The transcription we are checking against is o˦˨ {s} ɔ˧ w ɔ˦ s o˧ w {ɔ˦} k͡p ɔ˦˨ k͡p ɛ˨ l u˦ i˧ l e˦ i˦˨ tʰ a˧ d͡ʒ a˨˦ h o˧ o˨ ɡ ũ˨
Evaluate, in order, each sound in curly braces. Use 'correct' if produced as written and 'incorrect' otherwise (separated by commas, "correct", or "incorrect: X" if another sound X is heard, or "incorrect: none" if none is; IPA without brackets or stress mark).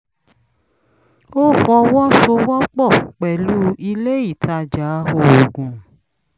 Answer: incorrect: f, correct